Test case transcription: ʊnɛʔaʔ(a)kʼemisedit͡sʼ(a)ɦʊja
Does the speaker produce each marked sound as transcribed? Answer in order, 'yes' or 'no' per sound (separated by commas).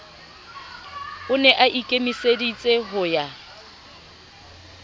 no, no